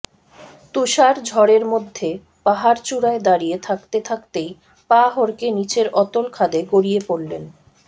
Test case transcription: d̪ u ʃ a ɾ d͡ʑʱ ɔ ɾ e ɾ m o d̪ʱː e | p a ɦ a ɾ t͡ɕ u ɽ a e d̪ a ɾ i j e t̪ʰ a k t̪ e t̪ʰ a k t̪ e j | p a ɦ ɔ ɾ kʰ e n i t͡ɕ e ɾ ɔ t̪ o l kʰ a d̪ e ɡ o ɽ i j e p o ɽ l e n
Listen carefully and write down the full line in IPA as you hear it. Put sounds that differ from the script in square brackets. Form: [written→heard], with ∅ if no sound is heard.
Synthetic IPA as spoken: [d̪→t̪] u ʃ a ɾ d͡ʑʱ ɔ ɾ e ɾ m o d̪ʱː e | p a ɦ a ɾ t͡ɕ u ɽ a e d̪ a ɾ i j e t̪ʰ a k t̪ e t̪ʰ a k t̪ e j | p a ɦ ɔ ɾ [kʰ→k] e n i t͡ɕ e ɾ ɔ t̪ o l kʰ a d̪ e ɡ o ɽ i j e p o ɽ l e n